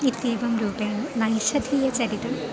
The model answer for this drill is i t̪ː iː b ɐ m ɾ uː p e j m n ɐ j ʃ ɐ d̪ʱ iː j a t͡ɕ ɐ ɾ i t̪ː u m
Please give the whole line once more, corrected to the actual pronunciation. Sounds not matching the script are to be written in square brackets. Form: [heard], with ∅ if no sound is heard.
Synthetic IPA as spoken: i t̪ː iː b ɐ m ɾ uː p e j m n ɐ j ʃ ɐ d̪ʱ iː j [ɐ] t͡ɕ ɐ ɾ i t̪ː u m